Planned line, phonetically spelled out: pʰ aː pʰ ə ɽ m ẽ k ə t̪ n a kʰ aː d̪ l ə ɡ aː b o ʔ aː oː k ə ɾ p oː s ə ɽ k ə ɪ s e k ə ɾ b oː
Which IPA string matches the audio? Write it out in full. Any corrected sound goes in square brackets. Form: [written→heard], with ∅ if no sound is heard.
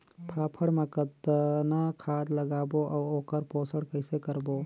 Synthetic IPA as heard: pʰ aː pʰ ə ɽ m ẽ k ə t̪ n a kʰ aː d̪ l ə ɡ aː b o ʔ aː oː k ə ɾ p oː s ə ɽ k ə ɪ s e k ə ɾ b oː